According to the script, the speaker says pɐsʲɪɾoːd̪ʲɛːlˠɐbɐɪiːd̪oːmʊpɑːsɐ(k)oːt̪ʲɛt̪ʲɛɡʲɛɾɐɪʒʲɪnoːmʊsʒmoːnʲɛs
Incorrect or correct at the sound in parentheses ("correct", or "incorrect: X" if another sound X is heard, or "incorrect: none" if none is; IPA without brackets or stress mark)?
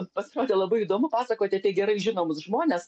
correct